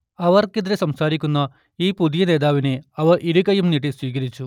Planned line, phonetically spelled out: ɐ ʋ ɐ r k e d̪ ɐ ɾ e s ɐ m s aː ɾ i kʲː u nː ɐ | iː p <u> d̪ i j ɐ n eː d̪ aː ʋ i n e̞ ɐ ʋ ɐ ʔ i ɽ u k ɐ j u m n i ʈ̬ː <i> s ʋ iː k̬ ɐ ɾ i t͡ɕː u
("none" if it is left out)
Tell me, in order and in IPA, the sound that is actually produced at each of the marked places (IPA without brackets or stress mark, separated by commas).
u, i